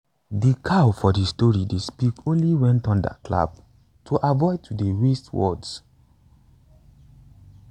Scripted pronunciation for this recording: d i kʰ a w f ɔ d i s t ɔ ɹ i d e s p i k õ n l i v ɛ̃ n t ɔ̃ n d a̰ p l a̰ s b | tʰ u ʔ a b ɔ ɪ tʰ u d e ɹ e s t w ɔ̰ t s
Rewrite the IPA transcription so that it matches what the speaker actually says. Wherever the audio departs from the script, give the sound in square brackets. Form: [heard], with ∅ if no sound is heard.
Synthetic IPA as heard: d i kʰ a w f ɔ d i s t ɔ ɹ i d e s p i k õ n l i [w] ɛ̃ n t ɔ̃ n d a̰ [k] l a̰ [∅] b | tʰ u ʔ a [v] ɔ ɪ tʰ u d e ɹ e s t w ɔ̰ [d] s